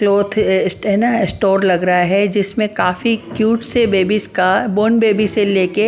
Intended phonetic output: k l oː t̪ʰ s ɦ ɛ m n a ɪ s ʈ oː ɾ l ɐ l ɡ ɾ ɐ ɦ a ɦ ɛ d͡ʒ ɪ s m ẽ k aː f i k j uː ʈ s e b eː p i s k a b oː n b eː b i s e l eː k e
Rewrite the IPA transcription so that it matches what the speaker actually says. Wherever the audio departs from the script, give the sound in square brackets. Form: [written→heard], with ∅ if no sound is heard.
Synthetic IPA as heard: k l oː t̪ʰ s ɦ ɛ [m→∅] n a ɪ s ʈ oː ɾ l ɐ [l→∅] ɡ ɾ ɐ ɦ a ɦ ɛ d͡ʒ ɪ s m ẽ k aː f i k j uː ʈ s e b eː [p→b] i s k a b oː n b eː b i s e l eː k e